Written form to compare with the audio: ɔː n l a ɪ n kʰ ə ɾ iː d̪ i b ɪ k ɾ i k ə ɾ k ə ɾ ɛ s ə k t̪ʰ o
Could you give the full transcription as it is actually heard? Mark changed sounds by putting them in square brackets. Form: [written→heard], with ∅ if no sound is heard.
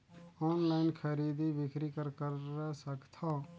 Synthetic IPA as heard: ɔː n l a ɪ n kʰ ə ɾ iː d̪ i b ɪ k ɾ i k ə ɾ k ə ɾ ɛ s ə k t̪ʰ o

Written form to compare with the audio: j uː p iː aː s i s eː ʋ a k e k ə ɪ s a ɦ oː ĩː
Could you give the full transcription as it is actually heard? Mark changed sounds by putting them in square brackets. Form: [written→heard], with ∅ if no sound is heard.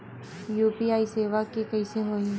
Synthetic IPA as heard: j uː p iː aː [s→∅] i s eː ʋ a k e k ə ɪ s [a→e] ɦ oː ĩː

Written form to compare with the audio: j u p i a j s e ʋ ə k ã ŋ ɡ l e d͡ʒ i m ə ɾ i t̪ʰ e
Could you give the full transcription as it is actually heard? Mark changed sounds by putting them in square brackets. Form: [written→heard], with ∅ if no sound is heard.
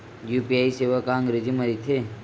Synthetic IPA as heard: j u p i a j s e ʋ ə k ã ŋ ɡ [l→ɾ] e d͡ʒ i m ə ɾ i t̪ʰ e

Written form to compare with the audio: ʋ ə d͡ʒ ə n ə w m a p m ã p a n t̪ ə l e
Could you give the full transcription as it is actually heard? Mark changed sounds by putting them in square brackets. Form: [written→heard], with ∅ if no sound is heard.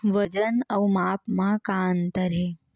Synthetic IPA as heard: ʋ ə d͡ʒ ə n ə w m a p m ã [p→k] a n t̪ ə [l→ɾ] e

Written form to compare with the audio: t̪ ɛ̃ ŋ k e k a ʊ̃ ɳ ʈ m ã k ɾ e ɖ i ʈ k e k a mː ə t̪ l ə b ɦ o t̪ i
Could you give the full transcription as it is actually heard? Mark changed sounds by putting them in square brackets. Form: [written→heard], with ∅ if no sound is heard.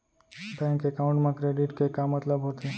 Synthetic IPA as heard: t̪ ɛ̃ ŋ k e k a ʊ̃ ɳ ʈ m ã k ɾ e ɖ i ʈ k e k a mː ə t̪ l ə b ɦ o t̪ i

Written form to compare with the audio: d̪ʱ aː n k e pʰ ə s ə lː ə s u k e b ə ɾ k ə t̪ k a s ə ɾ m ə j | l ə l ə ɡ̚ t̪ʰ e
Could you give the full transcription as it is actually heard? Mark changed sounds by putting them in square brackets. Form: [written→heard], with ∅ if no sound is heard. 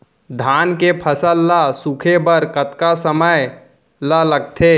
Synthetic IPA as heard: d̪ʱ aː n k e pʰ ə s ə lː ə s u [k→kʰ] e b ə ɾ k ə t̪ k a s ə [ɾ→∅] m ə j | l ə l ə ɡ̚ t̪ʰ e

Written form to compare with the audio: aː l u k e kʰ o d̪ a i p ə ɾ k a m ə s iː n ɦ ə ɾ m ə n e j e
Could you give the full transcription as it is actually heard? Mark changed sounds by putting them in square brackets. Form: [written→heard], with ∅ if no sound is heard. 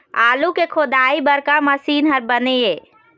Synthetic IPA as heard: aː l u k e kʰ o d̪ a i [p→b] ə ɾ k a m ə s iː n ɦ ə ɾ [m→b] ə n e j e

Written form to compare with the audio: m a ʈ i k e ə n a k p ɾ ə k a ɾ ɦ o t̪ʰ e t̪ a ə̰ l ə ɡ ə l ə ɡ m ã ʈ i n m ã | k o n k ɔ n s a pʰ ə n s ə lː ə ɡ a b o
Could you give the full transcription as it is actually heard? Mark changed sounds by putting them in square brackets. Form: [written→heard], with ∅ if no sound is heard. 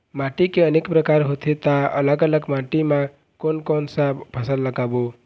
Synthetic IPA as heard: m a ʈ i k e ə n [a→e] k p ɾ ə k a ɾ ɦ o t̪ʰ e t̪ a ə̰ l ə ɡ ə l ə ɡ m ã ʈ i [n→∅] m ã | k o n k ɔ n s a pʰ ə [n→∅] s ə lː ə ɡ a b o

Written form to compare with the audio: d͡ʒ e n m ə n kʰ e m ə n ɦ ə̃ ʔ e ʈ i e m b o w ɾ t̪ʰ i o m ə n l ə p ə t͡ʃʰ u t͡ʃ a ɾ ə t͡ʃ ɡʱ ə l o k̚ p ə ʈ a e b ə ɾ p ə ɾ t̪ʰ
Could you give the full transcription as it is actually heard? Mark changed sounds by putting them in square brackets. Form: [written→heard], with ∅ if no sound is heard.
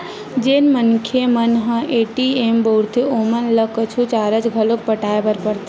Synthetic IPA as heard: d͡ʒ e n m ə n kʰ e m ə n ɦ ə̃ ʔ e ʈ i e m b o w ɾ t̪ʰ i o m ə n l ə [p→k] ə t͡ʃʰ u t͡ʃ a ɾ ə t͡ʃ ɡʱ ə l o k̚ p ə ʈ a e b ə ɾ p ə ɾ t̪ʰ

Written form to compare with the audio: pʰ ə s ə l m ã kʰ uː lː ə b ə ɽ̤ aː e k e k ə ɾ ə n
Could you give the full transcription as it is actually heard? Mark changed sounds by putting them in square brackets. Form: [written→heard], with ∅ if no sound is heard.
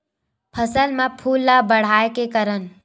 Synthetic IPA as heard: pʰ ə s ə l m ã [kʰ→pʰ] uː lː [ə→a] b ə ɽ̤ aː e k e k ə ɾ ə n

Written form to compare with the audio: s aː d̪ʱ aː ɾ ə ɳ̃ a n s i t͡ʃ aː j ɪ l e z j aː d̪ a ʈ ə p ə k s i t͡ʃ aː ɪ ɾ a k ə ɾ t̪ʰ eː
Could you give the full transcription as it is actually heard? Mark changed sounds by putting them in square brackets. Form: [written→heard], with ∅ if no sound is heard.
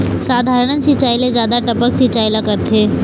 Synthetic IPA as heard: s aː d̪ʱ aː ɾ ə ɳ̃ [a→ə] n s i t͡ʃ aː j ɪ l e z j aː d̪ a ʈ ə p ə k s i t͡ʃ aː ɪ [ɾ→l] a k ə ɾ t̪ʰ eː

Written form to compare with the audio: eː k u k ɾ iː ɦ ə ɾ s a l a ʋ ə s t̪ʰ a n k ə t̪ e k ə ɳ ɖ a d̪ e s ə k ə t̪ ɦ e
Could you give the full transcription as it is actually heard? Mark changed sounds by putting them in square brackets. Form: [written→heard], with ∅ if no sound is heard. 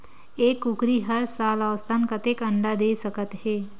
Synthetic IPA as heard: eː k u k ɾ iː ɦ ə ɾ s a l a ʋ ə s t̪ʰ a n k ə t̪ e k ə ɳ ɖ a d̪ e s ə k ə t̪ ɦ e

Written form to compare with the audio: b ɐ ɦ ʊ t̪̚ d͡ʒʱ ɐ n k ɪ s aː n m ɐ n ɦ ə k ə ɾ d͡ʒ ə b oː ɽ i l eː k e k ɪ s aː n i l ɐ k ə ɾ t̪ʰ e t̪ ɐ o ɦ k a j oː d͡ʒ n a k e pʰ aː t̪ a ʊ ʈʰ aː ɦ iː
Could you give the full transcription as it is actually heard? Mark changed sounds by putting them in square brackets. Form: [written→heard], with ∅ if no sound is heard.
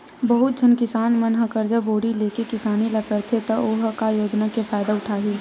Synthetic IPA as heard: b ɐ ɦ ʊ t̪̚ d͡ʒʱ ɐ n k ɪ s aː n m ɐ n ɦ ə k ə ɾ d͡ʒ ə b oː ɽ i l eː k e k ɪ s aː n i l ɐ k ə ɾ t̪ʰ e t̪ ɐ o ɦ k a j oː d͡ʒ n a k e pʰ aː [t̪→d̪] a ʊ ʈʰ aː ɦ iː

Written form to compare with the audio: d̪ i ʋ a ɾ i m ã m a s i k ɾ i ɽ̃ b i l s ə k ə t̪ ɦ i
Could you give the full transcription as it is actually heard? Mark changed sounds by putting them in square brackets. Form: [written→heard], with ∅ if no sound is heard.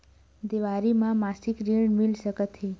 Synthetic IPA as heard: d̪ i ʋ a ɾ i m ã m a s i k ɾ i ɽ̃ [b→m] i l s ə k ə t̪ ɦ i

